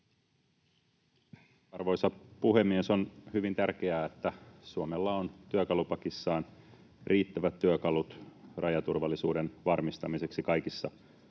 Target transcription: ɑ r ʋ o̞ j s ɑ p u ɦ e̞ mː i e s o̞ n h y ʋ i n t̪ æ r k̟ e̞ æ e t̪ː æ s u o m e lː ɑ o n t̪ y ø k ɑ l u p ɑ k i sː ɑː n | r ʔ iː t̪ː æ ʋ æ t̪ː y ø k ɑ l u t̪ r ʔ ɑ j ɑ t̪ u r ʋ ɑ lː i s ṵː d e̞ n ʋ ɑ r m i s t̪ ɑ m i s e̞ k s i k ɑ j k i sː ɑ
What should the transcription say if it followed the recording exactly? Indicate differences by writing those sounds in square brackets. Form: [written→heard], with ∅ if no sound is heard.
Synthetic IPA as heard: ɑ r ʋ o̞ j s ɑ p u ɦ e̞ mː i e s o̞ n h y ʋ i n t̪ æ r k̟ e̞ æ e t̪ː æ s u o m e lː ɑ o n t̪ y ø k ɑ l u p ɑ k i sː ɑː n | r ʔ iː t̪ː æ ʋ æ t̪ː y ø k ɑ l u t̪ r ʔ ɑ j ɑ t̪ u r ʋ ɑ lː i s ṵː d e̞ n ʋ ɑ r m i s t̪ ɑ m i s e̞ k s i k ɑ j k i sː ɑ